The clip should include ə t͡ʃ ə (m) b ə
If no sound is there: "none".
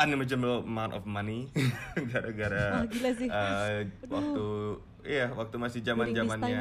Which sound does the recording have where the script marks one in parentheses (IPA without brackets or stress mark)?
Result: m